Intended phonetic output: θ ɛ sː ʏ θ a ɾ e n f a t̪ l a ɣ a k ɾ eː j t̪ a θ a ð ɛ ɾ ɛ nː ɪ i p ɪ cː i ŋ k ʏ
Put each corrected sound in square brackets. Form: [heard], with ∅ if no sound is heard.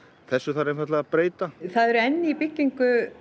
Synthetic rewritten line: θ ɛ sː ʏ θ a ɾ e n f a t̪ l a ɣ a [p] ɾ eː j t̪ a θ a ð ɛ ɾ ɛ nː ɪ i p ɪ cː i ŋ k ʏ